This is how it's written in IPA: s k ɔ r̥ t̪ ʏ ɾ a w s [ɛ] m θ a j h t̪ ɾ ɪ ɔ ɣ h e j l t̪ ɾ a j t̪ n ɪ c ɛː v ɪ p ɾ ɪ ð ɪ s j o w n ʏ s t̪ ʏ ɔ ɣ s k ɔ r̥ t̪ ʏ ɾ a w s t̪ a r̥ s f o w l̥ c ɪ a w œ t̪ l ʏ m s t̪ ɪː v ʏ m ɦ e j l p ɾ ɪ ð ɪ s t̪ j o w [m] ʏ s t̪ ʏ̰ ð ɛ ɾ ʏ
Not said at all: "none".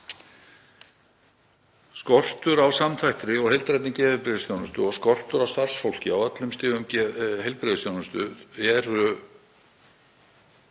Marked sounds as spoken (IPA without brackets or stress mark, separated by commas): a, n